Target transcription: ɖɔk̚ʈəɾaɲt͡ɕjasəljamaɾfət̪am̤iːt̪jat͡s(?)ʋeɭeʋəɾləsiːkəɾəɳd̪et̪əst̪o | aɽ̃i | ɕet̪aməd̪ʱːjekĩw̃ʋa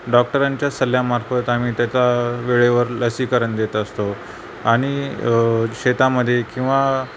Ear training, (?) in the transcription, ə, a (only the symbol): a